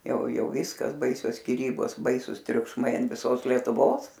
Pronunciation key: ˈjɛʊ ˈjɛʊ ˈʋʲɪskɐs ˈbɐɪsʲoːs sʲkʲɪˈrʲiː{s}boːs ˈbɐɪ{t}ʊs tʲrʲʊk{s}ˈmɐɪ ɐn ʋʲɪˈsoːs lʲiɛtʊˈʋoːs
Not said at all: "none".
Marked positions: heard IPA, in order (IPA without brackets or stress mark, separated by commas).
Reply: none, s, ʃ